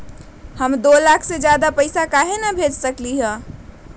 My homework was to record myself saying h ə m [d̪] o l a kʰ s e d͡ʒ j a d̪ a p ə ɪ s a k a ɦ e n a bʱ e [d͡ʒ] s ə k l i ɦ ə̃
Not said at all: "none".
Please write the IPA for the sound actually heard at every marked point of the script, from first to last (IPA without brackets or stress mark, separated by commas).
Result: d̪, d͡ʒ